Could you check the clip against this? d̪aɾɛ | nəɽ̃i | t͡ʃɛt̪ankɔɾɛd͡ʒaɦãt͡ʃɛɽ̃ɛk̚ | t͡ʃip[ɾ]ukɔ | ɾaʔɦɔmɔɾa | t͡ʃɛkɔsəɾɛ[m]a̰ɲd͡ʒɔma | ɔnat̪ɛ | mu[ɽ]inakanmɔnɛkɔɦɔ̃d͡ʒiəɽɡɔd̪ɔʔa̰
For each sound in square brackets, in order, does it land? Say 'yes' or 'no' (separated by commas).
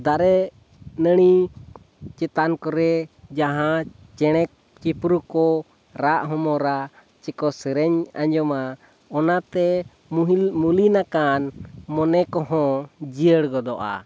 yes, no, no